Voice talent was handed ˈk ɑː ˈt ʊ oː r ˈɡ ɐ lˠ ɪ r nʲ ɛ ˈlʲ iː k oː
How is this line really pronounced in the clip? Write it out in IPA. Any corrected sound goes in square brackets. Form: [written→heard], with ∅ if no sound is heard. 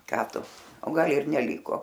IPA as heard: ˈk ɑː ˈt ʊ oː [r→∅] ˈɡ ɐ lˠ ɪ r nʲ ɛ ˈlʲ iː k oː